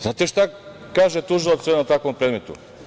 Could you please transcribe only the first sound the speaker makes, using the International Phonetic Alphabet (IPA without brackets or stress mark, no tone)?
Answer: z